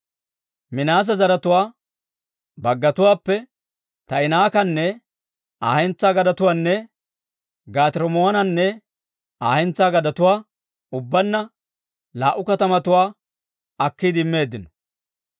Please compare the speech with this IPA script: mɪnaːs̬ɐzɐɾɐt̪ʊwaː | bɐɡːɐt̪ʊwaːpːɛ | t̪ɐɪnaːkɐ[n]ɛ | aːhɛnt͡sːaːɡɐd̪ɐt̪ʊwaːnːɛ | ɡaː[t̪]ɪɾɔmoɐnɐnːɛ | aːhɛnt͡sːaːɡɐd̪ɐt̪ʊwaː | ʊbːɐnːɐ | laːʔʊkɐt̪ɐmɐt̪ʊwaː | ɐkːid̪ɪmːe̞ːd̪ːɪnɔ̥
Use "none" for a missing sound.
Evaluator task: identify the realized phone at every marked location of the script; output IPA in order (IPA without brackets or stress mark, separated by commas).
nː, t̪